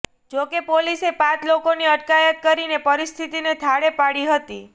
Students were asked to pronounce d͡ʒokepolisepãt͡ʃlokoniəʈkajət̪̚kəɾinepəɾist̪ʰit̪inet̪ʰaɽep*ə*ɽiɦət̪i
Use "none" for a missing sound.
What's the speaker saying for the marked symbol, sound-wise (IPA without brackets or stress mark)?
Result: a